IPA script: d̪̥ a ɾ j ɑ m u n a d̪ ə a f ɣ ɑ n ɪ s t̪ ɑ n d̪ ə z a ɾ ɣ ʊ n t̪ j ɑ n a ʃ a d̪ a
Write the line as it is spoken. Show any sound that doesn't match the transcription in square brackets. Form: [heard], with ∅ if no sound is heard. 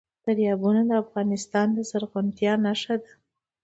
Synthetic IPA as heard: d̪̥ a ɾ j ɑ [b] u n a d̪ ə a f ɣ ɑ n ɪ s t̪ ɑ n d̪ ə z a ɾ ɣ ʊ n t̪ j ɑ n a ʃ a d̪ a